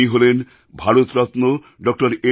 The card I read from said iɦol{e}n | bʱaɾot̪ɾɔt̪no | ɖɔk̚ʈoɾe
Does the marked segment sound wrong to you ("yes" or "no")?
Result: no